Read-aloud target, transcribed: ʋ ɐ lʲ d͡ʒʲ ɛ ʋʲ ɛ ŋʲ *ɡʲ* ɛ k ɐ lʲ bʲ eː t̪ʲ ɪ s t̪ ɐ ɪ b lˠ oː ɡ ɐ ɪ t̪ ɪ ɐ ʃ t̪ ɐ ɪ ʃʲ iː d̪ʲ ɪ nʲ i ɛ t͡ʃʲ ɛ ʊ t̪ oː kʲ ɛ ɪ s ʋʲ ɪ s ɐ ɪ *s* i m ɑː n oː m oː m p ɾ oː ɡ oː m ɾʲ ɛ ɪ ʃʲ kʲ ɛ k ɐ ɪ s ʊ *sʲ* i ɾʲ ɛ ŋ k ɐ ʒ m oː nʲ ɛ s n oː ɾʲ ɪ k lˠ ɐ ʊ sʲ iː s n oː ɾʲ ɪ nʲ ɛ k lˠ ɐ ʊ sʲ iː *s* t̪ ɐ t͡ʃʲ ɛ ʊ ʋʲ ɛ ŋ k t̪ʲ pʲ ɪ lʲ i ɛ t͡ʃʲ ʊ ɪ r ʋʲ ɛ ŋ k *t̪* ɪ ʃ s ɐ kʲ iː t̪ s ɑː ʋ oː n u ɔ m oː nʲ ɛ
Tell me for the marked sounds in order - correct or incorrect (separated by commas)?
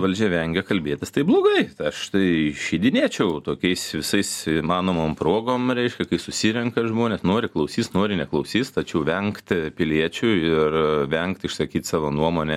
correct, correct, correct, correct, correct